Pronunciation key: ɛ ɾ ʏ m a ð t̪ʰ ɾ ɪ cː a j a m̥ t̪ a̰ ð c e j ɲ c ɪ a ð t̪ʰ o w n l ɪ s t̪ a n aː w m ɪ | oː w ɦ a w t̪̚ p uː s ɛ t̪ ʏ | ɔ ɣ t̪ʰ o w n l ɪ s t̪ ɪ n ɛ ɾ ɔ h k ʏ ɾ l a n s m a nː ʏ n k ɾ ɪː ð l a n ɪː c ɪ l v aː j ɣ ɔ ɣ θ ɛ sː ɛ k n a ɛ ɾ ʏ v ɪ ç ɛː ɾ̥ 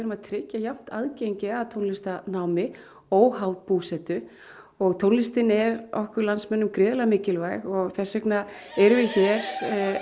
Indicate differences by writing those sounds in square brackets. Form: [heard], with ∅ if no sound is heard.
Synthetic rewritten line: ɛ ɾ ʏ m a ð t̪ʰ ɾ ɪ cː a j a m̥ t̪ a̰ ð c e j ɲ c ɪ a ð t̪ʰ o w n l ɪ s t̪ a n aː w m ɪ | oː w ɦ a w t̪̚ p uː s ɛ t̪ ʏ | ɔ ɣ t̪ʰ o w n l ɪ s t̪ ɪ n ɛ ɾ ɔ h k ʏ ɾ l a n s m [ɛ] nː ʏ [m] k ɾ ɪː ð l a [m] ɪː c ɪ l v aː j ɣ ɔ ɣ θ ɛ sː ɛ k n a ɛ ɾ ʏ v ɪ ç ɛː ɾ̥